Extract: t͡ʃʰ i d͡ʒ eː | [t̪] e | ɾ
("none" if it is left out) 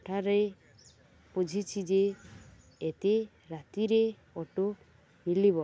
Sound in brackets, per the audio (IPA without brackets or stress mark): t̪